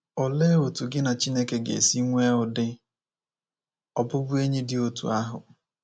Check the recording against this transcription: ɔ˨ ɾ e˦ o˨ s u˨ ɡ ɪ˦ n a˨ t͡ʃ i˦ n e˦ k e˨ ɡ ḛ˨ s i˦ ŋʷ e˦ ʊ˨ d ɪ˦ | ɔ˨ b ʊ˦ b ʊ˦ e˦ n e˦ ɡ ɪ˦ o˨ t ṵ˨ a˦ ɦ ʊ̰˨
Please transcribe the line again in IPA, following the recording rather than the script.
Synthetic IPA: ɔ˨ l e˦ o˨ t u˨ ɡ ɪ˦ n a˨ t͡ʃ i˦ n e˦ k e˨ ɡ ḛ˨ s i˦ ŋʷ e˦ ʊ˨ d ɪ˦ | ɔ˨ b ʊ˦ b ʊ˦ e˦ ɲ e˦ d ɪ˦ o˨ t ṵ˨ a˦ ɦ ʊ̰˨